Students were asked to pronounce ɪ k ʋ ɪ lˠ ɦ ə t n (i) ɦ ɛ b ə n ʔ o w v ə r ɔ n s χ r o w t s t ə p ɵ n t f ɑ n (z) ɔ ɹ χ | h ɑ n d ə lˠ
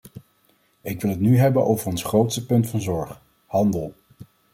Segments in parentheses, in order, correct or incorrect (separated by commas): incorrect, correct